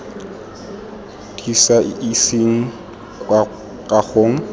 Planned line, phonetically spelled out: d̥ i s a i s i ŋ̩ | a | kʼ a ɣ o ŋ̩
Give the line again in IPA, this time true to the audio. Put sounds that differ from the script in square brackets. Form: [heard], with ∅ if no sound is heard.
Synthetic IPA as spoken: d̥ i s a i s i ŋ̩ | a | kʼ a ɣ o ŋ̩